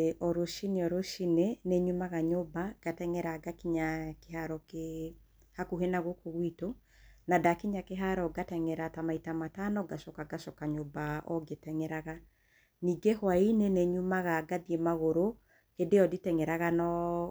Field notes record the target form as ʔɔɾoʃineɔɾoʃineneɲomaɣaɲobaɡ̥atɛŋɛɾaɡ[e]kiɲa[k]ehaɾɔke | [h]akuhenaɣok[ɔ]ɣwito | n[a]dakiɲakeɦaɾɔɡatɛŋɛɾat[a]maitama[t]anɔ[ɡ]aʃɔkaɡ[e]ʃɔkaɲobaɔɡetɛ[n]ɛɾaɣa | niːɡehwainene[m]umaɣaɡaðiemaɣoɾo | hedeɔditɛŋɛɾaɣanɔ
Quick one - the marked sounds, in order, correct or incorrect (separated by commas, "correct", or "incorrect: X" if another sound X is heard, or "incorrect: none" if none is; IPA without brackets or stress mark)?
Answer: incorrect: a, correct, correct, incorrect: o, correct, correct, correct, correct, incorrect: a, incorrect: ŋ, incorrect: ɲ